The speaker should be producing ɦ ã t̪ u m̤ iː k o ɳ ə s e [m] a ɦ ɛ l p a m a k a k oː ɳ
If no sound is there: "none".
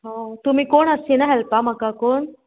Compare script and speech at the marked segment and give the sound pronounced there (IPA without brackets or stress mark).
n